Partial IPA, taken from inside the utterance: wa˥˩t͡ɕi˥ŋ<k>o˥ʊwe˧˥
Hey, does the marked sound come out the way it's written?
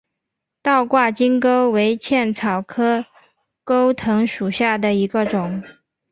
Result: yes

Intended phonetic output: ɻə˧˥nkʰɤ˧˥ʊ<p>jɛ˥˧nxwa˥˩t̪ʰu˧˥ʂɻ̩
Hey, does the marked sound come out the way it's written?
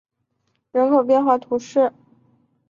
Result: yes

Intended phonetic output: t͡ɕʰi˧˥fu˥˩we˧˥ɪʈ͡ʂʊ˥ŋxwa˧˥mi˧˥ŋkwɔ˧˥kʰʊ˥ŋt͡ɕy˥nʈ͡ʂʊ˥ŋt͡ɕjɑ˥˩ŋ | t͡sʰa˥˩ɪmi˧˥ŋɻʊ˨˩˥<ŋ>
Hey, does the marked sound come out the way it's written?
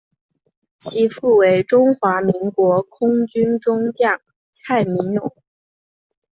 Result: yes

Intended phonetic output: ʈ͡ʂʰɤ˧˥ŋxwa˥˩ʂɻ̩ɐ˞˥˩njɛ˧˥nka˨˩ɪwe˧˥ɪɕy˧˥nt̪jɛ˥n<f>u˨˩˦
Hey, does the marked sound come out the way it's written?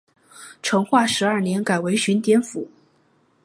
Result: yes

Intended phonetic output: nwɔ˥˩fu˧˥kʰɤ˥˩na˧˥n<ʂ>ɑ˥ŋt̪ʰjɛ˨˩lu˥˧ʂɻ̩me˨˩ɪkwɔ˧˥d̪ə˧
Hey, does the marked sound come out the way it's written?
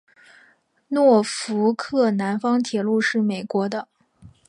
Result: no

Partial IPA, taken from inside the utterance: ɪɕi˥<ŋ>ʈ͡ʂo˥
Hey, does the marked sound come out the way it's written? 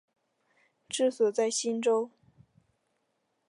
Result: no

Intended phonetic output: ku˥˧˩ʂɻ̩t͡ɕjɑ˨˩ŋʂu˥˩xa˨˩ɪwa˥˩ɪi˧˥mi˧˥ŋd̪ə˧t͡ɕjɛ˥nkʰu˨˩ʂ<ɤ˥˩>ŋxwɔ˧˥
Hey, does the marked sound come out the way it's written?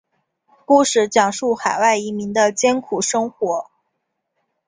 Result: no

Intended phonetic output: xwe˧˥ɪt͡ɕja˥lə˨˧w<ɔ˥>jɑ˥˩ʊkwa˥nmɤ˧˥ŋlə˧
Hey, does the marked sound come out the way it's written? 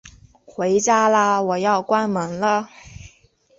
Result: no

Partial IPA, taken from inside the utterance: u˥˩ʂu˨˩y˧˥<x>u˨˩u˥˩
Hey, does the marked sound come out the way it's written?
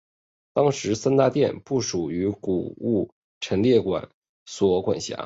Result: no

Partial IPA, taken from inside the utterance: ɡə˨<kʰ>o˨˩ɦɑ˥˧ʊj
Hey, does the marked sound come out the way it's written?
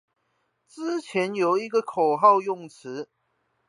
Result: yes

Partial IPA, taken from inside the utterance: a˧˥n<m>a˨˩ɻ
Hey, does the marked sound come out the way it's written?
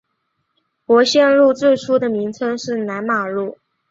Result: yes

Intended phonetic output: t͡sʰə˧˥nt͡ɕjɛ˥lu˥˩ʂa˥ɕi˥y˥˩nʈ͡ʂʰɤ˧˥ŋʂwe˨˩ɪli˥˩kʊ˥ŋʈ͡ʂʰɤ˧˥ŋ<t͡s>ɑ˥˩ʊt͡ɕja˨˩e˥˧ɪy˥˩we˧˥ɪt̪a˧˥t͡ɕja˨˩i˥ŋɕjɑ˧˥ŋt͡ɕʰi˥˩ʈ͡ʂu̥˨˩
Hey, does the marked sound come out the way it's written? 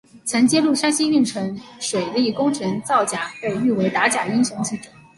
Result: yes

